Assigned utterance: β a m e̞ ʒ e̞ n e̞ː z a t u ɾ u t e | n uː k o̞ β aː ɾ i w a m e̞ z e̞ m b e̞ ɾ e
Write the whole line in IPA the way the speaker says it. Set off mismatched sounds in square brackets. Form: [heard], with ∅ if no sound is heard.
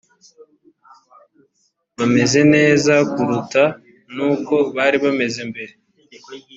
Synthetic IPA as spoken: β a m e̞ [z] e̞ n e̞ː z a [k] u ɾ u t [a] | n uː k o̞ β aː ɾ i [β] a m e̞ z e̞ m b e̞ ɾ e